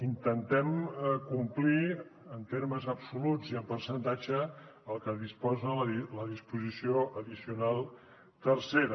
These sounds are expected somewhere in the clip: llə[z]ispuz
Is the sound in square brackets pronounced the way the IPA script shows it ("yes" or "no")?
no